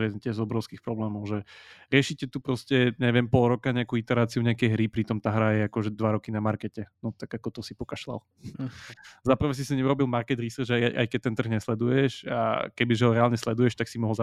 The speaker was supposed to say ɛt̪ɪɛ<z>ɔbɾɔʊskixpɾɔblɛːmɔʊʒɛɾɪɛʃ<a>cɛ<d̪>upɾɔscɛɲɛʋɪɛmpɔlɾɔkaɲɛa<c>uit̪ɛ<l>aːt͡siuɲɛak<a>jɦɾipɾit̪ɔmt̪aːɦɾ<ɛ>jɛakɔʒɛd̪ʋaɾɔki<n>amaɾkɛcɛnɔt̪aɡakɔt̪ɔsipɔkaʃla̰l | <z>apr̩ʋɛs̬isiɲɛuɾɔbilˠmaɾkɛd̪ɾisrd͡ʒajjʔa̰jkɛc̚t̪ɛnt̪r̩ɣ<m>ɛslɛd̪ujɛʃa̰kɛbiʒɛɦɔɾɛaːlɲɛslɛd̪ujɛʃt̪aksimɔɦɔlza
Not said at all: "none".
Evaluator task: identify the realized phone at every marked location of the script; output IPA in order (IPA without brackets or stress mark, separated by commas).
z, i, t̪, k, ɾ, ɛ, a, n, z, ɲ